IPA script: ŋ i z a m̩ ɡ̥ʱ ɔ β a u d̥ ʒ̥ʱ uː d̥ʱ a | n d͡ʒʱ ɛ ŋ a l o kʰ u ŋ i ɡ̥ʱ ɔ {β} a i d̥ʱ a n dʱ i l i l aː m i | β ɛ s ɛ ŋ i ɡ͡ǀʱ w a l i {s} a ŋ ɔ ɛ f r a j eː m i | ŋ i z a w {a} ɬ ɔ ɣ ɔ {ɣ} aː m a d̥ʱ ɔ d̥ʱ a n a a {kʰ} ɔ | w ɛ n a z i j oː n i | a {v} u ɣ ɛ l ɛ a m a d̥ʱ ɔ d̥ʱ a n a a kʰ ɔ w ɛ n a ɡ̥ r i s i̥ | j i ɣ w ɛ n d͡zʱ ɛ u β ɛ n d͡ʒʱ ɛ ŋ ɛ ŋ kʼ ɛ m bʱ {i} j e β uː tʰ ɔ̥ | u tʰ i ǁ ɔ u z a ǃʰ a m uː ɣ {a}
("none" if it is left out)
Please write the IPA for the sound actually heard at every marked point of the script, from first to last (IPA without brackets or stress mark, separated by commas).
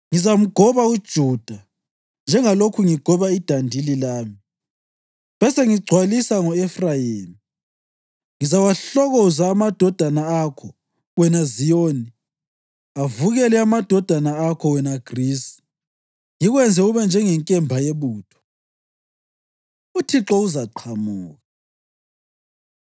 β, s, a, z, kʰ, v, a, a